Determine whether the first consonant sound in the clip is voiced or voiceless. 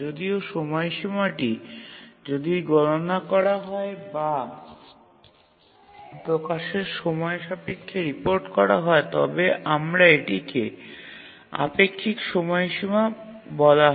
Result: voiced